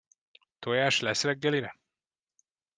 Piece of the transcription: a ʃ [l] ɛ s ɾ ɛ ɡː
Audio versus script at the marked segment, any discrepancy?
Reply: no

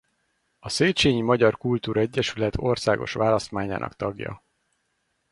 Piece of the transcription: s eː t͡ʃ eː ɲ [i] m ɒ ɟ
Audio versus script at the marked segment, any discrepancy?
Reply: no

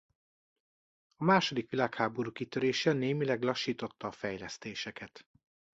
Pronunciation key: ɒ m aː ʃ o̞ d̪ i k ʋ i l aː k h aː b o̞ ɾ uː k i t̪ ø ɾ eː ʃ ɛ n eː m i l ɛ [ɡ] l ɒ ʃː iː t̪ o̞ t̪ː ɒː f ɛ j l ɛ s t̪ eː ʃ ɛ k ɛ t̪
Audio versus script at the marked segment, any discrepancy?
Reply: no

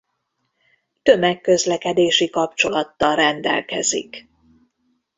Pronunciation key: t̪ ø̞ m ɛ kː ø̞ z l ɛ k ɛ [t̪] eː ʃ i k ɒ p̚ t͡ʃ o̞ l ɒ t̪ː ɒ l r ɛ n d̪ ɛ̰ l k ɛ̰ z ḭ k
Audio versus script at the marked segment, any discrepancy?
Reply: yes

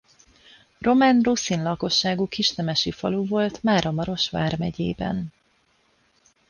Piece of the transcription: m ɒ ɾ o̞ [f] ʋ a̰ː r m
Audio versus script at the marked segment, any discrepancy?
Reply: yes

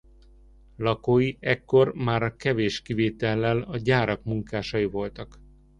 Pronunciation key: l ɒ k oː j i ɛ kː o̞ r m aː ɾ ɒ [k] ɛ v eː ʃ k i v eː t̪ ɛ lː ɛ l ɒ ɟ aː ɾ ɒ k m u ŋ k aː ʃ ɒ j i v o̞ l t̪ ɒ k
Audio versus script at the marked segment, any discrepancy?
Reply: no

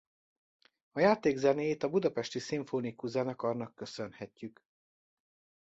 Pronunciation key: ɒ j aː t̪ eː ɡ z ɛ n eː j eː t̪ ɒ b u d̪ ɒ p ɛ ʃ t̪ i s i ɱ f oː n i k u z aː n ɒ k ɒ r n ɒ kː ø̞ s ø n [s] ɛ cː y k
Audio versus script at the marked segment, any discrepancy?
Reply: yes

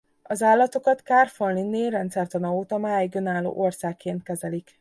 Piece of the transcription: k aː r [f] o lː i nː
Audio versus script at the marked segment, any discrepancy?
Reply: no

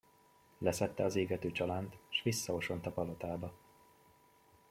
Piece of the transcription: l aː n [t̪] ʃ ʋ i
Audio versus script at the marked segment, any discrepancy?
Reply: no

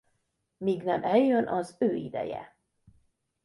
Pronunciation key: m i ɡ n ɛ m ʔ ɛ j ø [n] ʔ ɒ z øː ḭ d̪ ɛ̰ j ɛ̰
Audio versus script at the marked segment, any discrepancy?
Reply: no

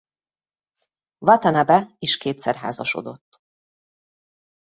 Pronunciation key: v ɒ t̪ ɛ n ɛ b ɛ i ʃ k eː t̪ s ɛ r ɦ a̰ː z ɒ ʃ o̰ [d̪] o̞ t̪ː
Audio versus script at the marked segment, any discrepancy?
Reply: no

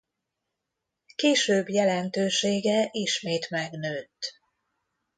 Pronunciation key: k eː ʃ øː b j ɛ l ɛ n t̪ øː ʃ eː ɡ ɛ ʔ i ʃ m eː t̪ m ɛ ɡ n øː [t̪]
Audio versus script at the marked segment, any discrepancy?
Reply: no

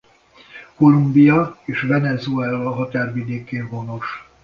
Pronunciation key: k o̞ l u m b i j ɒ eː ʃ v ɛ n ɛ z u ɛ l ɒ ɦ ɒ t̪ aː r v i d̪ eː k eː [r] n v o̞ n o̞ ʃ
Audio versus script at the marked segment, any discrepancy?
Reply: yes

